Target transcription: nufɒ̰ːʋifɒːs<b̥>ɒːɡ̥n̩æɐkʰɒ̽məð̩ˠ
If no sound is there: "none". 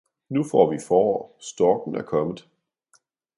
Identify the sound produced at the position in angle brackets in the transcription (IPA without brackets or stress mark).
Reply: d̥